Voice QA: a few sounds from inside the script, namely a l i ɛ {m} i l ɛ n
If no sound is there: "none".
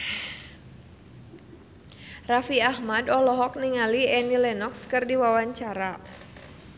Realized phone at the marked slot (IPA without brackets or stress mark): n